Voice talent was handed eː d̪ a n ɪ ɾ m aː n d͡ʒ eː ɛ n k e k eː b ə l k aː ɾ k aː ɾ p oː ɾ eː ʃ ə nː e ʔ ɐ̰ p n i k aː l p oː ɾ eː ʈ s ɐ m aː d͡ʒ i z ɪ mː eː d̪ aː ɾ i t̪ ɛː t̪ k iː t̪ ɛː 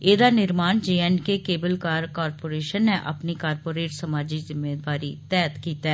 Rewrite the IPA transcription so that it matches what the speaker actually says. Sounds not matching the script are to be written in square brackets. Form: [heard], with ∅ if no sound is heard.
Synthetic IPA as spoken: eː d̪ a n ɪ ɾ m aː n d͡ʒ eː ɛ n k e k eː b ə l k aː ɾ k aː ɾ p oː ɾ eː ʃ ə nː e ʔ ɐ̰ p n i k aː [ɾ] p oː ɾ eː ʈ s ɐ m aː d͡ʒ i z ɪ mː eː d̪ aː ɾ i t̪ ɛː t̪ k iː t̪ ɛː